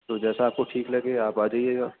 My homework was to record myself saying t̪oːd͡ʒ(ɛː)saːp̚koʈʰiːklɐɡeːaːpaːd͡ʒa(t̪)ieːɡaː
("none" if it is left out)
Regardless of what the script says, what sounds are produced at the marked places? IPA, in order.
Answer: ɛː, none

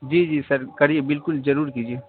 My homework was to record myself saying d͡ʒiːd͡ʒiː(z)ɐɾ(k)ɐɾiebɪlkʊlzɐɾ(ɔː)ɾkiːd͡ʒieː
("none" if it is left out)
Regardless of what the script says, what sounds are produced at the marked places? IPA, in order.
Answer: s, k, uː

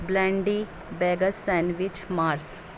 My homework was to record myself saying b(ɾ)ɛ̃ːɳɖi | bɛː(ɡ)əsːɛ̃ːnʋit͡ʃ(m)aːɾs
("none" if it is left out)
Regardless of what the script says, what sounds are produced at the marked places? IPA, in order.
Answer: l, ɡ, m

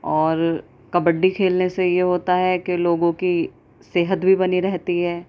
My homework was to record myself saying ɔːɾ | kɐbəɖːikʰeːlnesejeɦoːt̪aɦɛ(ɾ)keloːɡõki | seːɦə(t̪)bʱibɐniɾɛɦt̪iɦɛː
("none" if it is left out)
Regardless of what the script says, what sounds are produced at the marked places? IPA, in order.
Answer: none, t̪

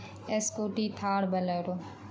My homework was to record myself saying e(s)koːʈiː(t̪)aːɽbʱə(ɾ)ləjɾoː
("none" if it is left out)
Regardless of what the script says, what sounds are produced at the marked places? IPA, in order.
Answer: s, t̪ʰ, none

